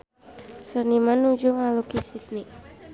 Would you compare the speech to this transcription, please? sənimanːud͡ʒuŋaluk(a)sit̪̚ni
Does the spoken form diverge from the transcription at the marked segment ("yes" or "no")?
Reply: yes